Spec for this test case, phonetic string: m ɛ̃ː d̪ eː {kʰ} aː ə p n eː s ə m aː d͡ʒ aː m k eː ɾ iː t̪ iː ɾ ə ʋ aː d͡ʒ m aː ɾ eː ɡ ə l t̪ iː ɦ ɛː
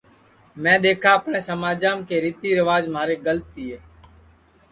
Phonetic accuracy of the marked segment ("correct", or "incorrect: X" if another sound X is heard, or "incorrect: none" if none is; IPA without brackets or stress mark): correct